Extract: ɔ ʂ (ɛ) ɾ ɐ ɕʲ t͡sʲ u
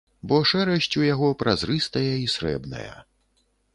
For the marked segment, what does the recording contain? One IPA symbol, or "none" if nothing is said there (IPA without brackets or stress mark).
ɛ